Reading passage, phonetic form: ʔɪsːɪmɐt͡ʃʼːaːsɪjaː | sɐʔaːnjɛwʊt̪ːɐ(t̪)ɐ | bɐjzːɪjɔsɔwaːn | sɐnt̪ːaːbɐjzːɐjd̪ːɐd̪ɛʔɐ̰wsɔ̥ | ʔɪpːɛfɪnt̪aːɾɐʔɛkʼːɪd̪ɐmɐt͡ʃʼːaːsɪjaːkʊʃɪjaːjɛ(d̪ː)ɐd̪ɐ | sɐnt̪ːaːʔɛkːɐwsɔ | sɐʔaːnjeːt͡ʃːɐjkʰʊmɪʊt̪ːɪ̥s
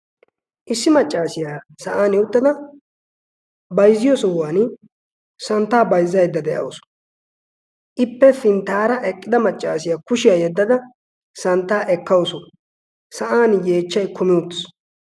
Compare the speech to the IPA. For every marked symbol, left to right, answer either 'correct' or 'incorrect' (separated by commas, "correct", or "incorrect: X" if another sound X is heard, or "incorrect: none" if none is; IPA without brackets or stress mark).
incorrect: d̪, correct